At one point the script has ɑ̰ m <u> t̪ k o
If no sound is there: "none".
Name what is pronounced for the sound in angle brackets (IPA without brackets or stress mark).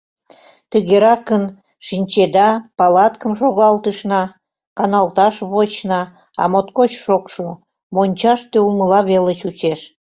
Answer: o